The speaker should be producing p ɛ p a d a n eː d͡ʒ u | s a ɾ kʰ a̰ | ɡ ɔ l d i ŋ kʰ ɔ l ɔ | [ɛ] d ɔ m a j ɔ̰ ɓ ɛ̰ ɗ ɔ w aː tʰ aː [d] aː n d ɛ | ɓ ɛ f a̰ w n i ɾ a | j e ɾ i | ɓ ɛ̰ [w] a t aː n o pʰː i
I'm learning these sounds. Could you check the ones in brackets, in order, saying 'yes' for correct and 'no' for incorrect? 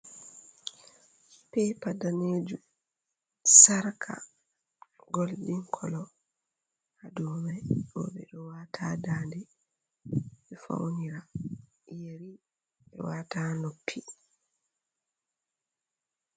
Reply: no, yes, yes

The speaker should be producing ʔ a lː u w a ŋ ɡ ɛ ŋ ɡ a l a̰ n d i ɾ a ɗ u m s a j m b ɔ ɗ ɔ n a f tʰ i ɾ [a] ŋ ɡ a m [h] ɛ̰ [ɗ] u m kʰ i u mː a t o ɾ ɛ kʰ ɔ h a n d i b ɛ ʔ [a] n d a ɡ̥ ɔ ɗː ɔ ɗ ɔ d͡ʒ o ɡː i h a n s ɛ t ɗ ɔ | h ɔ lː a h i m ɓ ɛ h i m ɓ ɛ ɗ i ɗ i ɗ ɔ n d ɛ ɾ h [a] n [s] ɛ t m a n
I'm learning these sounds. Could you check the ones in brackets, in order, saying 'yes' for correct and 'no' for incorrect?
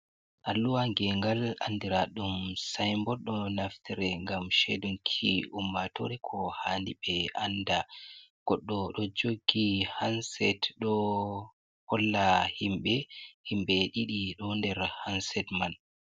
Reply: no, no, no, yes, yes, yes

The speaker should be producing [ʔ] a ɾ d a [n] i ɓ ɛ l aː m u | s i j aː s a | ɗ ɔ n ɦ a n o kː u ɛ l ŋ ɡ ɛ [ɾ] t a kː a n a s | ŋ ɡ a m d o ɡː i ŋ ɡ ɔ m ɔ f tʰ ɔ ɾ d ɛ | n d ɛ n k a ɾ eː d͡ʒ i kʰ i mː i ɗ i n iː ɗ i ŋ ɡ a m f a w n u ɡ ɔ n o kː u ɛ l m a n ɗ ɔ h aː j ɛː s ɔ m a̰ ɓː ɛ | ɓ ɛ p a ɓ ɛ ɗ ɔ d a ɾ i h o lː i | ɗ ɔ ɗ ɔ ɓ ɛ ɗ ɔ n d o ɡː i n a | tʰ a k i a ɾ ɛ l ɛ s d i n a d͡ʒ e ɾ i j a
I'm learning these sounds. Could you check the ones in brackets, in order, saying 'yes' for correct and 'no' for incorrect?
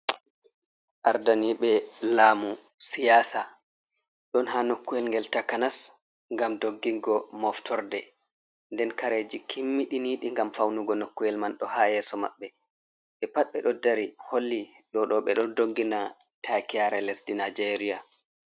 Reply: yes, yes, no

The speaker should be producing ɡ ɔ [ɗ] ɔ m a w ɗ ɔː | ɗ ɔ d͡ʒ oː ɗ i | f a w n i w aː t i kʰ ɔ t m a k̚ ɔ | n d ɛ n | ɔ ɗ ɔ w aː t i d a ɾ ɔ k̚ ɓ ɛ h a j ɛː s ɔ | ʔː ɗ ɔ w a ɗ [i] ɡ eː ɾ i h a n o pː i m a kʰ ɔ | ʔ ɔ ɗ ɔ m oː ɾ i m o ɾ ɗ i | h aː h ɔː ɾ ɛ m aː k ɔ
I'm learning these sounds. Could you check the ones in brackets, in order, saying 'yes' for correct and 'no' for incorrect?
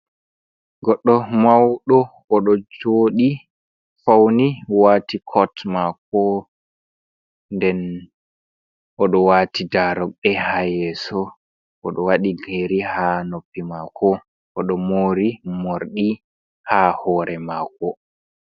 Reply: no, yes

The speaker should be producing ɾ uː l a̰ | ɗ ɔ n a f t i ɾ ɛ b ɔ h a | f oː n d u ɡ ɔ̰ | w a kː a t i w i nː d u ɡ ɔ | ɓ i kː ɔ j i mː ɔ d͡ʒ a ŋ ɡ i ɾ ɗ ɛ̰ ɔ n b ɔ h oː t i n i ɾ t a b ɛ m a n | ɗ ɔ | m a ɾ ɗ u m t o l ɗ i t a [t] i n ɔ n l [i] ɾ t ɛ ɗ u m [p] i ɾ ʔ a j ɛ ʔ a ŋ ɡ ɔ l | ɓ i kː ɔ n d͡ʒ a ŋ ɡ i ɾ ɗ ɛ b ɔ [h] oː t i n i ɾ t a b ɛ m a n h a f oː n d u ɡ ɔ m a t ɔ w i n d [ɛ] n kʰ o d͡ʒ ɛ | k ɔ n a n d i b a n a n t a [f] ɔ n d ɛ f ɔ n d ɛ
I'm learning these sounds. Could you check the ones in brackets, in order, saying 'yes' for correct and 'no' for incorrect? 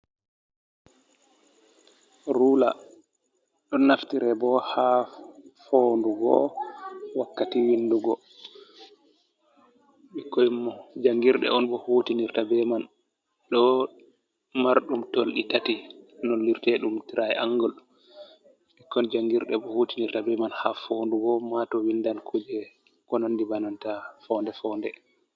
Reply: yes, yes, no, yes, no, yes

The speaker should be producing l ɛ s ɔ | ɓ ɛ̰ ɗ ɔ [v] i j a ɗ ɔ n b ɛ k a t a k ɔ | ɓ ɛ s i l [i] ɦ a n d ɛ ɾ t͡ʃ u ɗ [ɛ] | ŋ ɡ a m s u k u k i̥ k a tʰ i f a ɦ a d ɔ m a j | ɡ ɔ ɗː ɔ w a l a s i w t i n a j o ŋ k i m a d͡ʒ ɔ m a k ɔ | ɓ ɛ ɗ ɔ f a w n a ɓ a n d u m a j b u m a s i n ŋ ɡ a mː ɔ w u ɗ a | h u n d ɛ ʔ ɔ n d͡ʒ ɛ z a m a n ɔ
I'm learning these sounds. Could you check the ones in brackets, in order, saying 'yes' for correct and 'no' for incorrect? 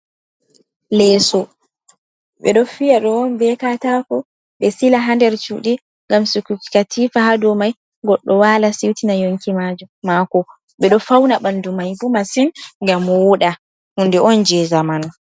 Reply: no, no, no

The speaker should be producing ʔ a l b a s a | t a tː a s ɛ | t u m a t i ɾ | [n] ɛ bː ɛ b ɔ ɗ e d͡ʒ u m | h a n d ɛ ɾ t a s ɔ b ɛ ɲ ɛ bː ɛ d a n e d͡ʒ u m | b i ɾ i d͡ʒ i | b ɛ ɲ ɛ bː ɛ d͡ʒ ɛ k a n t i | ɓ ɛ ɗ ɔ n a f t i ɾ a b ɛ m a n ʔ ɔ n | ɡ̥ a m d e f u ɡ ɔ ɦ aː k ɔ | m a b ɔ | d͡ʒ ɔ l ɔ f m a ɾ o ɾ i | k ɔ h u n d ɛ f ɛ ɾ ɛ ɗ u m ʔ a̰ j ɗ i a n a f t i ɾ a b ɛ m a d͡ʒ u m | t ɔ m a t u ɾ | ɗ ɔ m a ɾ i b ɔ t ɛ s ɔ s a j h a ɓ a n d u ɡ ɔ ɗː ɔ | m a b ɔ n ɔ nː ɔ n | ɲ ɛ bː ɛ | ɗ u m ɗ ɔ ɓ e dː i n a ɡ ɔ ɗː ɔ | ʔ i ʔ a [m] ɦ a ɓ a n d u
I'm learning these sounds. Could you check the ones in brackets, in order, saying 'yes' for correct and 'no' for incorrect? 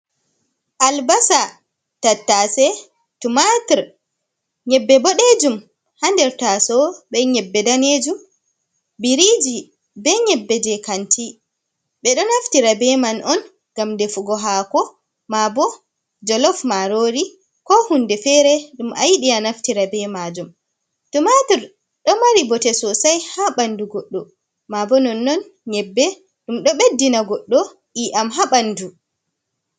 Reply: no, yes

